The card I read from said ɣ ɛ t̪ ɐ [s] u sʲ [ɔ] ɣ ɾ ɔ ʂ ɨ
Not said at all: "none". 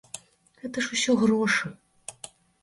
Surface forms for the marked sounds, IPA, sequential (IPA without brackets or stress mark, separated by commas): ʂ, ɔ